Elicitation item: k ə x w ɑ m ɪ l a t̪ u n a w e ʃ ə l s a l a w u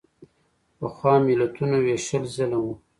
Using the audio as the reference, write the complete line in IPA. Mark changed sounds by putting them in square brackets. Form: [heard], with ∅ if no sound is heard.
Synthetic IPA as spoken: [p] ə x w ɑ m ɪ l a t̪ u n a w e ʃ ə l [z] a l a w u